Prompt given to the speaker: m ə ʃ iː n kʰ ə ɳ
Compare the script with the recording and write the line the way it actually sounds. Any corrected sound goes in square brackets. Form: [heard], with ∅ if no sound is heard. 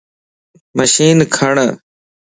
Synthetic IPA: m ə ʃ iː n kʰ ə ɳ